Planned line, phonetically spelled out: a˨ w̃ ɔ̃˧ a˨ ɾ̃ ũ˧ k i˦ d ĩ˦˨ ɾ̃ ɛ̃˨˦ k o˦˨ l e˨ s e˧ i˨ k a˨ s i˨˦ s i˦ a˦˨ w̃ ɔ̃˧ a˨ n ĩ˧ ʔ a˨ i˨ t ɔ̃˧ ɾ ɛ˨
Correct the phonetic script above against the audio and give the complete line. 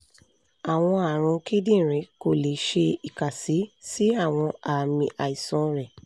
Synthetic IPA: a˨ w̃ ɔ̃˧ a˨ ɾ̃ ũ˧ k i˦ d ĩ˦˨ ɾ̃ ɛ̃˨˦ k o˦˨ l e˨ ʃ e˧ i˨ k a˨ s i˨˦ s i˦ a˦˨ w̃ ɔ̃˧ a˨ m ĩ˧ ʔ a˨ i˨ s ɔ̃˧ ɾ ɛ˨